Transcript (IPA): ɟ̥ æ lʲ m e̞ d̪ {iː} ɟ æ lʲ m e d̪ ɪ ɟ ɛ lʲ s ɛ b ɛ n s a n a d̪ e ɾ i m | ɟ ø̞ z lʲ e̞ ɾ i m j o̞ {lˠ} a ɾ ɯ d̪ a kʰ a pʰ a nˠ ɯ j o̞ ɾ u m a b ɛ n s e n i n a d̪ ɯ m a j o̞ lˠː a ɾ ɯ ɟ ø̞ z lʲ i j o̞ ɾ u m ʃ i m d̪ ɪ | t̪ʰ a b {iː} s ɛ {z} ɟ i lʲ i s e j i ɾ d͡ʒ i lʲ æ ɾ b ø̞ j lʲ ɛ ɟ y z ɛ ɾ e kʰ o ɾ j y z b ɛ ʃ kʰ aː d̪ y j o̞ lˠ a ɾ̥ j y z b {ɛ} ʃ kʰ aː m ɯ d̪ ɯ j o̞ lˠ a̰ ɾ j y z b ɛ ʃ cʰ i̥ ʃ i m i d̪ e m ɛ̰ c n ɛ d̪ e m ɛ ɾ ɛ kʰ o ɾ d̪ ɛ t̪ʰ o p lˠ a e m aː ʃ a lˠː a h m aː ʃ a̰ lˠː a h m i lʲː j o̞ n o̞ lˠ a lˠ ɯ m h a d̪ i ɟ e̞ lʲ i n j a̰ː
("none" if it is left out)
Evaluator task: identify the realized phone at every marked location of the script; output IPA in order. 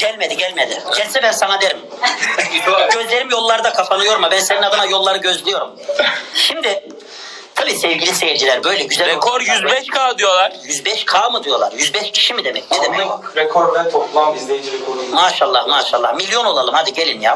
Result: i, lˠː, iː, v, ɛ

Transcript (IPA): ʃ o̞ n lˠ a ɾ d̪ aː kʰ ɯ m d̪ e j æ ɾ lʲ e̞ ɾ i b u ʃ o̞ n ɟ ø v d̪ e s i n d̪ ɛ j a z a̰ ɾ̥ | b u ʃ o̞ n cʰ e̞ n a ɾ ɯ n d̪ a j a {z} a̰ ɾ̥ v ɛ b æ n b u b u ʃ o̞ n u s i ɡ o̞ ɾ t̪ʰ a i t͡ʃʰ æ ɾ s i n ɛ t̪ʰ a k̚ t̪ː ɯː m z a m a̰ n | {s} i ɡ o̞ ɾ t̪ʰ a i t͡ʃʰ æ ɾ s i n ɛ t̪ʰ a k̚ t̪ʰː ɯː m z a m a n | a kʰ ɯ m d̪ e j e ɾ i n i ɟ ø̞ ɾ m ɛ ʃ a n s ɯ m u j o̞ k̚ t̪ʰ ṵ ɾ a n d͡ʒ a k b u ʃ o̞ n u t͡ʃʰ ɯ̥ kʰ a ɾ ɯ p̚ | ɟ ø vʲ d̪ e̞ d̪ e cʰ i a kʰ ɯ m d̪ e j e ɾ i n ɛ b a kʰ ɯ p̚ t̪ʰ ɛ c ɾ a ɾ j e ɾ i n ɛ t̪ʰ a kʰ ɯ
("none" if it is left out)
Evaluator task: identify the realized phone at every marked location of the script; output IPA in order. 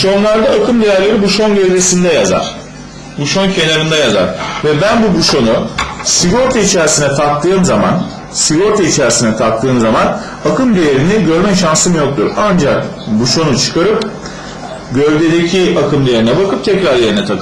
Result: z, s

